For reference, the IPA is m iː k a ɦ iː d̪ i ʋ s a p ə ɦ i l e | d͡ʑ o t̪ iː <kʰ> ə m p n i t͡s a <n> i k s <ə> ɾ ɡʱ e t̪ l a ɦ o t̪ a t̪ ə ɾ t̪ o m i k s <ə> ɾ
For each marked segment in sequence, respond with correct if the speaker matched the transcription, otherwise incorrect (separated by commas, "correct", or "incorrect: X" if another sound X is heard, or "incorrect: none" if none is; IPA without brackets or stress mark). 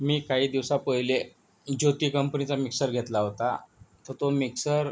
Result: incorrect: k, incorrect: m, correct, correct